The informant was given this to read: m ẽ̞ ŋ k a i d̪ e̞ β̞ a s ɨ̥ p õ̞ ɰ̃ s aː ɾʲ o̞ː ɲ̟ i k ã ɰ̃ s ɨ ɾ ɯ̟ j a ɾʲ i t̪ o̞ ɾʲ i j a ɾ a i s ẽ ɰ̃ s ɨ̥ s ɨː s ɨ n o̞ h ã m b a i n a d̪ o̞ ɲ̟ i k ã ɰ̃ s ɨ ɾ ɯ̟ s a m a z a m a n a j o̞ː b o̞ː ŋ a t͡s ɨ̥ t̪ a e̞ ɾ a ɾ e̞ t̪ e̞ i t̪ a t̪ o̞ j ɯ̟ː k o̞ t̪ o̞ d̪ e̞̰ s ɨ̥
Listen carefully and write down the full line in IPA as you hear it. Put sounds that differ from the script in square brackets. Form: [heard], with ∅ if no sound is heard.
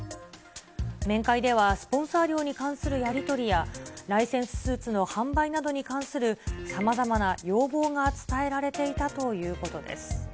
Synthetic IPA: m ẽ̞ ŋ k a i d̪ e̞ β̞ a s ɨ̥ p õ̞ ɰ̃ s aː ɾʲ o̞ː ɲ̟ i k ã ɰ̃ s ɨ ɾ ɯ̟ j a ɾʲ i t̪ o̞ ɾʲ i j a ɾ a i s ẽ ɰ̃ s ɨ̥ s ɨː [t͡s] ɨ n o̞ h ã m b a i n a d̪ o̞ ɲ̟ i k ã ɰ̃ s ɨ ɾ ɯ̟ s a m a z a m a n a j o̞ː b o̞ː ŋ a t͡s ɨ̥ t̪ a e̞ ɾ a ɾ e̞ t̪ e̞ i t̪ a t̪ o̞ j ɯ̟ː k o̞ t̪ o̞ d̪ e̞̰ s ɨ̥